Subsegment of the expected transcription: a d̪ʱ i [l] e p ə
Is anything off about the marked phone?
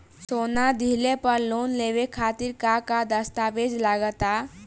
no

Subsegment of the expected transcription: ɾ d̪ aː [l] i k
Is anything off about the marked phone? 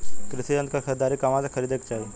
yes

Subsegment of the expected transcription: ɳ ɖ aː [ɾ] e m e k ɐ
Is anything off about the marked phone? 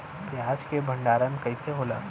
no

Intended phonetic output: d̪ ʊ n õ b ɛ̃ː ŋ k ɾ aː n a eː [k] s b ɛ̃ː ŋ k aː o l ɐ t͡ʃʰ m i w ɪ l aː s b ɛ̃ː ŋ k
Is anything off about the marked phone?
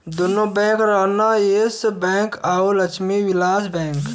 yes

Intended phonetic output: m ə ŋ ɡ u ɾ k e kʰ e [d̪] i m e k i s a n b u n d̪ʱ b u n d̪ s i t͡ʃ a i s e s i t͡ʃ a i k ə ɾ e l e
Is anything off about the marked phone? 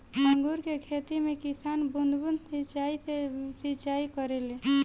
yes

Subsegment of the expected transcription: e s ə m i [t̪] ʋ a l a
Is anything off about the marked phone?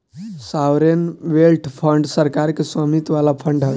no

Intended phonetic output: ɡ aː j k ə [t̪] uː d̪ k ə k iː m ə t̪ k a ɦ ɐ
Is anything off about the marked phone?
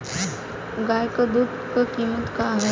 yes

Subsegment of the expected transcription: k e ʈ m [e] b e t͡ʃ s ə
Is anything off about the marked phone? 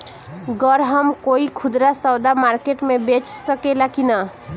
no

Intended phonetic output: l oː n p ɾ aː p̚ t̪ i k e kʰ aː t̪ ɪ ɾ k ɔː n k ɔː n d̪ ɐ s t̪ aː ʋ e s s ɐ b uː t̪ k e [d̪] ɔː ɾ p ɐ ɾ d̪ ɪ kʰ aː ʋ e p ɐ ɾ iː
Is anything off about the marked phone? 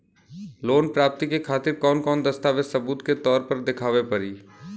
yes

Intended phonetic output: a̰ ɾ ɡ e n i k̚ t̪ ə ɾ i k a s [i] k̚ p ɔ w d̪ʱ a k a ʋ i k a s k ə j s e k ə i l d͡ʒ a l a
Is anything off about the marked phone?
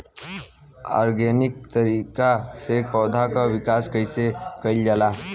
yes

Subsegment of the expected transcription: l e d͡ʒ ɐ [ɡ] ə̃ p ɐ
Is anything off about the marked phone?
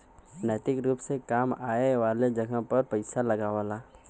no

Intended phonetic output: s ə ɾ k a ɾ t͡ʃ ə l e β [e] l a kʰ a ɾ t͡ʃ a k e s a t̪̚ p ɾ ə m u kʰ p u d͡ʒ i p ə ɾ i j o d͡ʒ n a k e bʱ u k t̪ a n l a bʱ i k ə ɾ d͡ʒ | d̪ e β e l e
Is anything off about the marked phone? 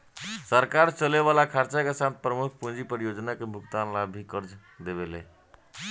yes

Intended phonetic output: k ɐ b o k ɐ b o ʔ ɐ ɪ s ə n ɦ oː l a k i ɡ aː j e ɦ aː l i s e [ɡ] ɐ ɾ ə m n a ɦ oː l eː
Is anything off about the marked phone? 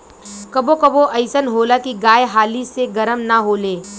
no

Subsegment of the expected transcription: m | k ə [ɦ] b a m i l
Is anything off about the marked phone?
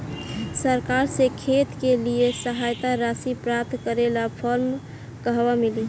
no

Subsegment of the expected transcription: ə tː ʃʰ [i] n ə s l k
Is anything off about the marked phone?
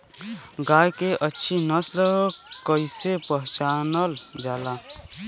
no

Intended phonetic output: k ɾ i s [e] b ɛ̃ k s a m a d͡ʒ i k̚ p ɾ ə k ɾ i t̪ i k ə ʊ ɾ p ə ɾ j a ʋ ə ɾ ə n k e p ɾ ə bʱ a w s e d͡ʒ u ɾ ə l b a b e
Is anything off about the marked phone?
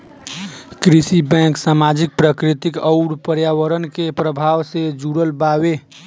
yes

